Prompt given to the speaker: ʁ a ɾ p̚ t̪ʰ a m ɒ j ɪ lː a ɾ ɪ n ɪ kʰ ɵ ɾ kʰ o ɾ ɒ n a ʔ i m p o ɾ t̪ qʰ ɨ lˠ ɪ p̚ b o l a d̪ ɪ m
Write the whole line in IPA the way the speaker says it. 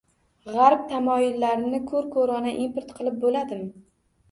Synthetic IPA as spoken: ʁ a ɾ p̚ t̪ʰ a m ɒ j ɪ lː a ɾ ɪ n ɪ kʰ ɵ ɾ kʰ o ɾ ɒ n a ʔ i m p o ɾ t̪ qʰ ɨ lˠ ɪ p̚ b o l a d̪ ɪ m

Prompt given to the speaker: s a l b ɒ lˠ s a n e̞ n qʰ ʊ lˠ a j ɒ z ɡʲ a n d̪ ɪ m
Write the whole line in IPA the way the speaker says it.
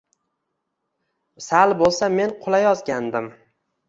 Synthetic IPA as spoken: s a l b o lˠ s a m e̞ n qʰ ʊ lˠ a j ɒ z ɡʲ a n d̪ ɪ m

